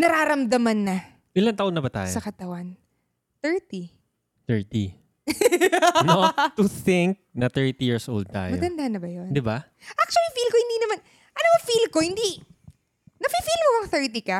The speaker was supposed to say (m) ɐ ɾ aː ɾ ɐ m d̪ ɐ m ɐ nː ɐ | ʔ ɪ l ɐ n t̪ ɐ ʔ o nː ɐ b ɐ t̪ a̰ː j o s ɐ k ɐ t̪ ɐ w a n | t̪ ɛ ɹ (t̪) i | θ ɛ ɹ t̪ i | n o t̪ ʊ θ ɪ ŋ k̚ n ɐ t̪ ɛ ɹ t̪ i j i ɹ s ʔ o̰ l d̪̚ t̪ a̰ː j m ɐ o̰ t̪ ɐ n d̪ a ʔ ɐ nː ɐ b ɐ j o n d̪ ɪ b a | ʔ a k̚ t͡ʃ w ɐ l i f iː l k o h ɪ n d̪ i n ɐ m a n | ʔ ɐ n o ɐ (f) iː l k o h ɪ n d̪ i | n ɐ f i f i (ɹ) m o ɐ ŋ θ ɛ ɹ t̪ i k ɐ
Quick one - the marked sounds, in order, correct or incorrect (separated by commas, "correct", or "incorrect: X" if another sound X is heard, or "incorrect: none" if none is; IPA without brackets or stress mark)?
incorrect: n, correct, correct, incorrect: l